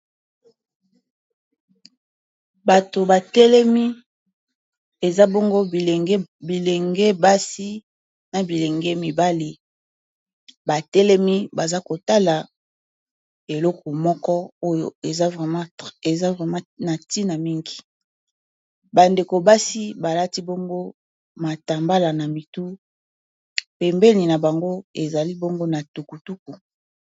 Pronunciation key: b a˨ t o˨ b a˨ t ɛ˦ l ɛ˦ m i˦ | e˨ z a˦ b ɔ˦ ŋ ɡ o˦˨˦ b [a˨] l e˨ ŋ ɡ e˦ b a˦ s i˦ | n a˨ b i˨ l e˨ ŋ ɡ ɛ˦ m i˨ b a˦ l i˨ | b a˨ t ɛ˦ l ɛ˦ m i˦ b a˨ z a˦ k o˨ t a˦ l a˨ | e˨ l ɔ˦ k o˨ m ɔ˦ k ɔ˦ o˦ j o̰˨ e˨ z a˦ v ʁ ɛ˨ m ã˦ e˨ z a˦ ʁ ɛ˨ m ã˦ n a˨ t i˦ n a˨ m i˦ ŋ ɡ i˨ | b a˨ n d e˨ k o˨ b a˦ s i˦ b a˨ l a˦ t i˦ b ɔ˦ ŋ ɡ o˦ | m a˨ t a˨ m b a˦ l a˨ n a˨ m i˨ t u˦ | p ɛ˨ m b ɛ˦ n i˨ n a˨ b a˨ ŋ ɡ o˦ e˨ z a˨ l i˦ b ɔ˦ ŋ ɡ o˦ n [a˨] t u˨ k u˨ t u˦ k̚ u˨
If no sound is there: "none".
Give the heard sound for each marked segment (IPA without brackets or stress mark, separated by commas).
i˨, a˨